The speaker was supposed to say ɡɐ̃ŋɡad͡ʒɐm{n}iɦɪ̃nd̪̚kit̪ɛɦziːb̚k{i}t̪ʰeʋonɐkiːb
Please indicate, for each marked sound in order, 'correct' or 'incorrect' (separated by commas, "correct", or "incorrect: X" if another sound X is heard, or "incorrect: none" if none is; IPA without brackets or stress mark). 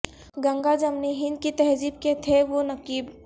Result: correct, incorrect: e